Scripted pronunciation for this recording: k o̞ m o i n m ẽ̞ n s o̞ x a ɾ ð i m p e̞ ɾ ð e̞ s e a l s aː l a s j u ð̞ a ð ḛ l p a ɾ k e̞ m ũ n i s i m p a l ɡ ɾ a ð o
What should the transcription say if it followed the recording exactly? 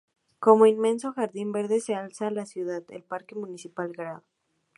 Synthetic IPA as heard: k o̞ m o i n m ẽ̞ n s o̞ x a ɾ ð i m b e̞ ɾ ð e̞ s e a l s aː l a s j u ð̞ a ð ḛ l p a ɾ k e̞ m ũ n i s i p a l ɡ ɾ a ð o